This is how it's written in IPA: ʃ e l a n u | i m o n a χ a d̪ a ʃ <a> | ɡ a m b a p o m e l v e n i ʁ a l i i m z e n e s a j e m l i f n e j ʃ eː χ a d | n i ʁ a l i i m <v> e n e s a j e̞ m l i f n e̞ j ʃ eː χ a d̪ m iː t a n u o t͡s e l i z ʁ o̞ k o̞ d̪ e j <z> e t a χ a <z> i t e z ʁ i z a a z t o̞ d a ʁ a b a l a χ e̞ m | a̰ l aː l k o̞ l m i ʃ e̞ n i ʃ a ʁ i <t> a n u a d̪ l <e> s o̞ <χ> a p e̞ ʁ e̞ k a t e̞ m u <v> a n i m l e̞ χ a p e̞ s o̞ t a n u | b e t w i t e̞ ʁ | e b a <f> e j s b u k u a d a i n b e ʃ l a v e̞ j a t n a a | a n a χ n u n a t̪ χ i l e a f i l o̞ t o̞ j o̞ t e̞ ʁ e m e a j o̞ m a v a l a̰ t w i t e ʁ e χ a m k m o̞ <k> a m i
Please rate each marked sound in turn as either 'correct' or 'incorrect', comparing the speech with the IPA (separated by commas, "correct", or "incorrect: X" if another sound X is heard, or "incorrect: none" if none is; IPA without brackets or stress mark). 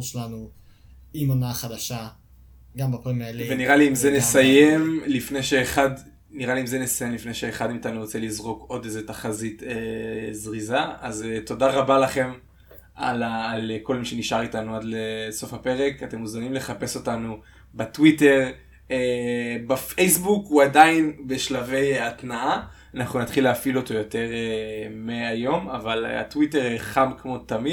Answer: correct, incorrect: z, correct, correct, correct, correct, incorrect: f, incorrect: z, correct, incorrect: t